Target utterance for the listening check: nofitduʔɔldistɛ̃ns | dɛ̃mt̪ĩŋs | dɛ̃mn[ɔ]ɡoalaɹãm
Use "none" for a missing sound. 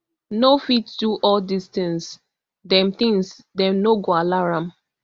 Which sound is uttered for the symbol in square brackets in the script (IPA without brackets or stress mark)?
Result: o